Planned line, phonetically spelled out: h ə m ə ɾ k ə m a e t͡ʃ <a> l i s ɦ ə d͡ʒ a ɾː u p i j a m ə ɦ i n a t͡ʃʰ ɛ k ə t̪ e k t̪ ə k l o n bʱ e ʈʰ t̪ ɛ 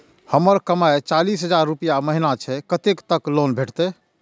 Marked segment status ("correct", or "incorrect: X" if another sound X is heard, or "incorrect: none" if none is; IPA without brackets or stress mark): correct